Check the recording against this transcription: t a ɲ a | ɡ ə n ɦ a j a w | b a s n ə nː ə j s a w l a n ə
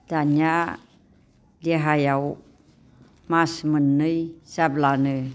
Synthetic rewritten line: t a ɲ a | d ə ɦ a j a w | m a s m ə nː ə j s a b l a n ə